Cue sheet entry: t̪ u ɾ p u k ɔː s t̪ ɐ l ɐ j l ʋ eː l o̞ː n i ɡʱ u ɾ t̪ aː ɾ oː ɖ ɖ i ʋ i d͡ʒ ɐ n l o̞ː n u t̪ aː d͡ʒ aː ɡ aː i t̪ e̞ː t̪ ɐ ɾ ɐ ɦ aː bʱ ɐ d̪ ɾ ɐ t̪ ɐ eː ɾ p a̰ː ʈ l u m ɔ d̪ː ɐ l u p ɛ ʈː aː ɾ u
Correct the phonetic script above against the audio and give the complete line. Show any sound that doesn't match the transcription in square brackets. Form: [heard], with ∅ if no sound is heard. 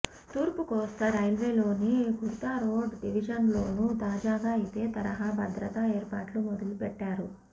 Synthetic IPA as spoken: t̪ [uː] ɾ p u k ɔː s t̪ ɐ [ɾ] ɐ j l ʋ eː l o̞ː n i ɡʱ u ɾ t̪ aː ɾ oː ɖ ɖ i ʋ i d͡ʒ ɐ n l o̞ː n u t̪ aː d͡ʒ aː ɡ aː i t̪ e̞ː t̪ ɐ ɾ ɐ ɦ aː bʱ ɐ d̪ ɾ ɐ t̪ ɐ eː ɾ p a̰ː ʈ l u m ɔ [d̪] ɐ l u p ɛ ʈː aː ɾ u